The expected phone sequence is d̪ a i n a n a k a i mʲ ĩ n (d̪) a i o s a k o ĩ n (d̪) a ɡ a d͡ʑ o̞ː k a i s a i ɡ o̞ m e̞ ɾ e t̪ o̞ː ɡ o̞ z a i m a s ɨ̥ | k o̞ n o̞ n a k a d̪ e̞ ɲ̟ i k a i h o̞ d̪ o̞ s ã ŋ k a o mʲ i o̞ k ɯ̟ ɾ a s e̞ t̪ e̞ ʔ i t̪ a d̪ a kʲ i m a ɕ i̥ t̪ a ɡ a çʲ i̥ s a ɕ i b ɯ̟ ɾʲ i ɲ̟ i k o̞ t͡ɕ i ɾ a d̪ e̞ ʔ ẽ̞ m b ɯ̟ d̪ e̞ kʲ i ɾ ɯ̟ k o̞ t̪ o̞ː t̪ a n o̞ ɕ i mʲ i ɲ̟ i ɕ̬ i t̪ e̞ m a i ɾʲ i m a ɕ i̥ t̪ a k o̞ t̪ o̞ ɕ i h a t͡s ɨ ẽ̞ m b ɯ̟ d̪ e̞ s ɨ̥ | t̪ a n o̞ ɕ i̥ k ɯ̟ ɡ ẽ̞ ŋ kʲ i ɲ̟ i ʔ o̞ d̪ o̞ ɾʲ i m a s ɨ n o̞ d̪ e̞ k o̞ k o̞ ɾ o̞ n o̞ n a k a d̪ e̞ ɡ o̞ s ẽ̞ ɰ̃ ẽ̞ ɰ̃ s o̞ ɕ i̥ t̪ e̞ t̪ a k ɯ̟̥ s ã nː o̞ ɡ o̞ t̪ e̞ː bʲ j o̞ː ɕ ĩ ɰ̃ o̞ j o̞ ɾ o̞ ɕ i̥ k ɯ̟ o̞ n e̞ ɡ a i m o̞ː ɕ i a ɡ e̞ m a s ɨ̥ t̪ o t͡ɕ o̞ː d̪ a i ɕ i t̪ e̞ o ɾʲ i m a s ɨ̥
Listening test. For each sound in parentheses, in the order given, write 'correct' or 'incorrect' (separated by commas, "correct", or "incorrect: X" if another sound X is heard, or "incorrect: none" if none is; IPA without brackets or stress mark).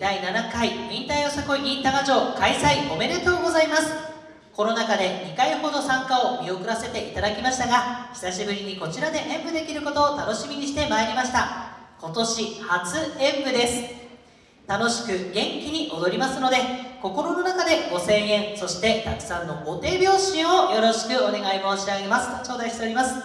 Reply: incorrect: t̪, incorrect: t̪